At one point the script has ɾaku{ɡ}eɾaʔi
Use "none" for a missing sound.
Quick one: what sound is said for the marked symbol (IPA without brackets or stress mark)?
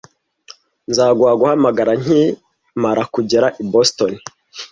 ɟ